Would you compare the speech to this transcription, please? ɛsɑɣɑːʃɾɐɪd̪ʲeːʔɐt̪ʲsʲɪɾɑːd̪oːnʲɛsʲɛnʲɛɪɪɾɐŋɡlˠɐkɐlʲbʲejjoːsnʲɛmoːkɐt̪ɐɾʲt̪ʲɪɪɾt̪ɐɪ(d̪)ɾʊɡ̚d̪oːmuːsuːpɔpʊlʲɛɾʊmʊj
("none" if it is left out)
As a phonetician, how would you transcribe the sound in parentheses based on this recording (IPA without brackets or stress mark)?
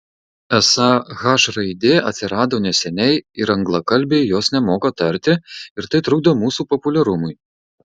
t̪